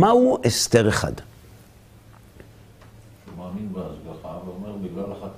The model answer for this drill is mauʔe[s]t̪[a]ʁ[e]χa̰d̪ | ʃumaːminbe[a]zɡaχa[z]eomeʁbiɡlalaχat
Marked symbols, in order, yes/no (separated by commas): yes, no, yes, yes, no